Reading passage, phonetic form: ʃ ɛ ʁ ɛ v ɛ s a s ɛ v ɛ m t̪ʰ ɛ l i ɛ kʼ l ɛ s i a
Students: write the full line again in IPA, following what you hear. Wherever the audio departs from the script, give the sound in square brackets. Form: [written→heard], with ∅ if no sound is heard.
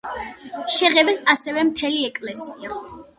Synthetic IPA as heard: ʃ ɛ ʁ ɛ [v→b] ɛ s a s ɛ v ɛ m t̪ʰ ɛ l i ɛ kʼ l ɛ s i a

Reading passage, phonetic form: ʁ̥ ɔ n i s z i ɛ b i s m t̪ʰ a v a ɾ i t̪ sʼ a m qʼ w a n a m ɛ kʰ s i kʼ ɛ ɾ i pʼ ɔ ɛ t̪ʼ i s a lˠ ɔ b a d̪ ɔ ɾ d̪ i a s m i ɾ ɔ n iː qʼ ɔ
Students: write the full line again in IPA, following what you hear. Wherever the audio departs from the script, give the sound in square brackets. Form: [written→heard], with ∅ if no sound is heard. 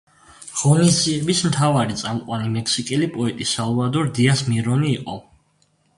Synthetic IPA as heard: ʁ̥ ɔ n i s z i ɛ b i s m t̪ʰ a v a ɾ i t̪ sʼ a m qʼ w a n [a→i] m ɛ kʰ s i kʼ ɛ [ɾ→l] i pʼ ɔ ɛ t̪ʼ i s a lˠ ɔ [b→v] a d̪ ɔ ɾ d̪ i a s m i ɾ ɔ n iː qʼ ɔ

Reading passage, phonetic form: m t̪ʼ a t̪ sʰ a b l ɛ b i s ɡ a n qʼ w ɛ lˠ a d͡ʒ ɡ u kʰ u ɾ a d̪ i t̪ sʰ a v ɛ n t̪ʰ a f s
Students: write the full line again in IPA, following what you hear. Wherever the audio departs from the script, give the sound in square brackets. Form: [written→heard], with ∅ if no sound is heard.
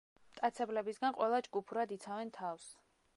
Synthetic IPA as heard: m t̪ʼ a t̪ sʰ [a→ɛ] b l ɛ b i s ɡ a n qʼ w ɛ lˠ a d͡ʒ ɡ u [kʰ→pʰ] u ɾ a d̪ i t̪ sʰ a v ɛ n t̪ʰ a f s

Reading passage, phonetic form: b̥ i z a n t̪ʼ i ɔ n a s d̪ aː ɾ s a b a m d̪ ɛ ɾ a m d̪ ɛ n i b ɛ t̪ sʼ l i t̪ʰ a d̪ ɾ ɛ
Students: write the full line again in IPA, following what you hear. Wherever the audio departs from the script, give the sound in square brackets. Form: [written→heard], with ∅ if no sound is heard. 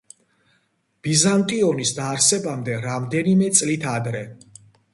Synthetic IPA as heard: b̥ i z a n t̪ʼ i ɔ n [a→i] s d̪ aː ɾ s [a→ɛ] b a m d̪ ɛ ɾ a m d̪ ɛ n i [b→m] ɛ t̪ sʼ l i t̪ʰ a d̪ ɾ ɛ

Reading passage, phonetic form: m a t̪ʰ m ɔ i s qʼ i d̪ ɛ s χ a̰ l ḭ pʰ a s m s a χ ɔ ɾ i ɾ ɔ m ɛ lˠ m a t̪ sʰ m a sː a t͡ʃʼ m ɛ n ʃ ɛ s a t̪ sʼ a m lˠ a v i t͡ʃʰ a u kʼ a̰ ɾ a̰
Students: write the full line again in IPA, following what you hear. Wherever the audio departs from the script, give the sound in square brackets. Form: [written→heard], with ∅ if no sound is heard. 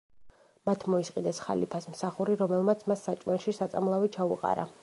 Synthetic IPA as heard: m a t̪ʰ m ɔ i s qʼ i d̪ ɛ s χ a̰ l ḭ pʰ a s m s a χ [ɔ→u] ɾ i ɾ ɔ m ɛ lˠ m a t̪ sʰ m a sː a t͡ʃʼ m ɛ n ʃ [ɛ→i] s a t̪ sʼ a m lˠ a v i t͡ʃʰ a u [kʼ→qʼ] a̰ ɾ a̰

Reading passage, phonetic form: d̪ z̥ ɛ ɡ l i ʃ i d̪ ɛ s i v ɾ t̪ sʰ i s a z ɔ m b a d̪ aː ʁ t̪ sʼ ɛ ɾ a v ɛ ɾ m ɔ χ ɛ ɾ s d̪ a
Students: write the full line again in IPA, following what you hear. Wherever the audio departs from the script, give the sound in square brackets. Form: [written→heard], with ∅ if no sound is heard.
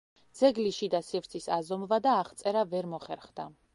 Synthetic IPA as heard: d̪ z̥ ɛ ɡ l i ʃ i d̪ [ɛ→a] s i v ɾ t̪ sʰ i s a z ɔ m [b→v] a d̪ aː [ʁ→χ] t̪ sʼ ɛ ɾ a v ɛ ɾ m ɔ χ ɛ ɾ [s→χ] d̪ a

